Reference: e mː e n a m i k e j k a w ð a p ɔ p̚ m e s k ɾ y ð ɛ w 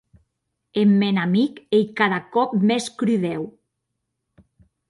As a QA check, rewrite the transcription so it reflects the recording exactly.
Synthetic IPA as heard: e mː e n a m i k e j k a ð a k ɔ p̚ m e s k ɾ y ð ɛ w